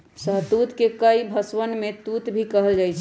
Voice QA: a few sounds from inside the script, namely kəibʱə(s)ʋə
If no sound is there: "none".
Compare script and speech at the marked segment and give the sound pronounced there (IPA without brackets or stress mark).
s